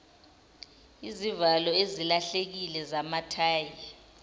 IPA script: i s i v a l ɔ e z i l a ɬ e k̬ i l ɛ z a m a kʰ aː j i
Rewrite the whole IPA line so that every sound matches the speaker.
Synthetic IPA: i z i v a l ɔ e z i l a ɬ e k̬ i l ɛ z a m a tʰ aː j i